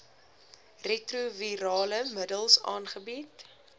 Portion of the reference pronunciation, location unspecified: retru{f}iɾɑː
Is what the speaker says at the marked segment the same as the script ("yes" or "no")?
no